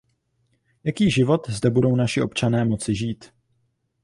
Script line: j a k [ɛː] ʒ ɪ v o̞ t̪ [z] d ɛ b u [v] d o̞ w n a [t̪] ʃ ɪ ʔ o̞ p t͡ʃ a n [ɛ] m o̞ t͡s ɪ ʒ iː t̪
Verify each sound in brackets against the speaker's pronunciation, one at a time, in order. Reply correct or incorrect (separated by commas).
incorrect, correct, incorrect, incorrect, incorrect